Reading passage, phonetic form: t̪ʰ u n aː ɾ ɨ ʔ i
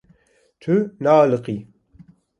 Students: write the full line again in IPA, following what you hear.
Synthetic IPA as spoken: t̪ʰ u n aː l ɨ q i